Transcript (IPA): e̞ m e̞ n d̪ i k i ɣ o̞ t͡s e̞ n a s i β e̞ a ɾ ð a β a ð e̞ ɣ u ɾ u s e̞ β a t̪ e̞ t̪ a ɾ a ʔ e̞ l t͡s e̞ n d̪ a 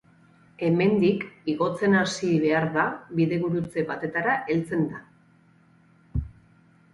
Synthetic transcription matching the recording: e̞ m e̞ n d̪ i k i ɣ o̞ t͡s e̞ n a s i β e̞ a ɾ ð a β i ð e̞ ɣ u ɾ u t͡s e̞ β a t̪ e̞ t̪ a ɾ a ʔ e̞ l t͡s e̞ n d̪ a

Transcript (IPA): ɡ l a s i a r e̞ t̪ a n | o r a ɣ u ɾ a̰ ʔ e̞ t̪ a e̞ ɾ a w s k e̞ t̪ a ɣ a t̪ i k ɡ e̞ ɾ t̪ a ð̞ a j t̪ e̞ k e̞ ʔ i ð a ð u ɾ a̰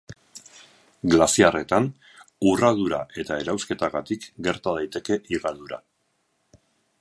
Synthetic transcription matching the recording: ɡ l a s i a r e̞ t̪ a n | u r a ð u ɾ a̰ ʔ e̞ t̪ a e̞ ɾ a w s k e̞ t̪ a ɣ a t̪ i k ɡ e̞ ɾ t̪ a ð̞ a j t̪ e̞ k e̞ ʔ i ɣ a ð u ɾ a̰

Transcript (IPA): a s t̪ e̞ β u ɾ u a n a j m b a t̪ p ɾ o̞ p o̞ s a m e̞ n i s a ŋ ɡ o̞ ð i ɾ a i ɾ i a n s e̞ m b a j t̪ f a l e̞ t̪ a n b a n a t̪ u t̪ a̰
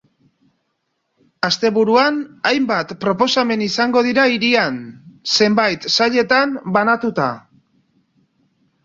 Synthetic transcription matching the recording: a s t̪ e̞ β u ɾ u a n a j m b a t̪ p ɾ o̞ p o̞ s a m e̞ n i s a ŋ ɡ o̞ ð i ɾ a i ɾ i a n s e̞ m b a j t̪ s a ʎ e̞ t̪ a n b a n a t̪ u t̪ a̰

